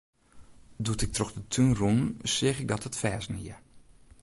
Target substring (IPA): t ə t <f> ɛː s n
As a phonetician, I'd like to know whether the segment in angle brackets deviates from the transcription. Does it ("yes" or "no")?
no